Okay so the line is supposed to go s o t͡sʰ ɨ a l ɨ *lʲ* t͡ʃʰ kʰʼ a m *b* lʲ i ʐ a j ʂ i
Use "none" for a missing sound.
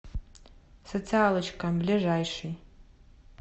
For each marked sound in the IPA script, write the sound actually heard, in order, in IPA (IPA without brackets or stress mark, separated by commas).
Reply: none, b